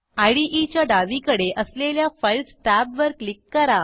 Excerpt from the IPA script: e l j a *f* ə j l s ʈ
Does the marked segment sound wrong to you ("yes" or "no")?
no